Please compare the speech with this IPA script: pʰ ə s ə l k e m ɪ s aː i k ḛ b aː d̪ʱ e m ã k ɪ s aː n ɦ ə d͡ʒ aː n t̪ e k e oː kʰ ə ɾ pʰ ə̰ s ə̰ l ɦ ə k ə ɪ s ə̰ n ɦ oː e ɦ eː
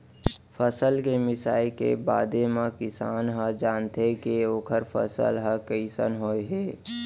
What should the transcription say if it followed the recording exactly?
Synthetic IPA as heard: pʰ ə s ə l k e m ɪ s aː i k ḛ b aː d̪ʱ e m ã k ɪ s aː n ɦ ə d͡ʒ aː n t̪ e k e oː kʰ ə ɾ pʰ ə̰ s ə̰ l ɦ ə k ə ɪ s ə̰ n ɦ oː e ɦ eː